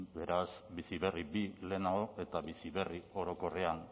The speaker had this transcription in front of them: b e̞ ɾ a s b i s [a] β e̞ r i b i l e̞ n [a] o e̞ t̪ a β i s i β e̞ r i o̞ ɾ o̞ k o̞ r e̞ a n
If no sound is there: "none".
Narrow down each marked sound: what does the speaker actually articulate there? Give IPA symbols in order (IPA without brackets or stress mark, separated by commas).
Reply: i, a